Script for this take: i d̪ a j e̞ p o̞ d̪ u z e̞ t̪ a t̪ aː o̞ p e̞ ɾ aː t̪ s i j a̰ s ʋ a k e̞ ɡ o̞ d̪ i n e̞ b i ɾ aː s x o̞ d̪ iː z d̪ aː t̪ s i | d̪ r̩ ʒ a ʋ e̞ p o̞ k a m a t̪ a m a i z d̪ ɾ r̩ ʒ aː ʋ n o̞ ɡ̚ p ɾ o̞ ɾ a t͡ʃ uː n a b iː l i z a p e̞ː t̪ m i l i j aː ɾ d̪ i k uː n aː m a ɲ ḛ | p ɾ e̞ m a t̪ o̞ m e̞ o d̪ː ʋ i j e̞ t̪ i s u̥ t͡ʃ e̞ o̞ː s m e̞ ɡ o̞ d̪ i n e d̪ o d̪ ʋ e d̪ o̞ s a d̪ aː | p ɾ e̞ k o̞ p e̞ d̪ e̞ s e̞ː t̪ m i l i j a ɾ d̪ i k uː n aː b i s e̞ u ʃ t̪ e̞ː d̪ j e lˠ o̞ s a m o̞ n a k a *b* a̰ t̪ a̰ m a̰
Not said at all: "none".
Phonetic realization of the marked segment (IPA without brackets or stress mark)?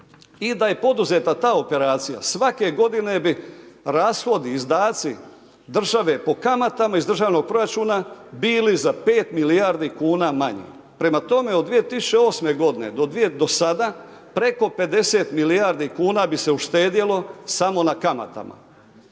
m